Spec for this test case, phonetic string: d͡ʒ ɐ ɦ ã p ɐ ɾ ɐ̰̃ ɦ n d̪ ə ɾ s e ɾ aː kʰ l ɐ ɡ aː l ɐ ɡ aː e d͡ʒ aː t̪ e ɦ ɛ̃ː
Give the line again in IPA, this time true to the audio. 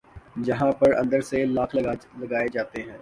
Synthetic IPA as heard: d͡ʒ ɐ ɦ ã p ɐ ɾ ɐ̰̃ n d̪ ə ɾ s e l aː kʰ l ɐ ɡ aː l ɐ ɡ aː e d͡ʒ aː t̪ e ɦ ɛ̃ː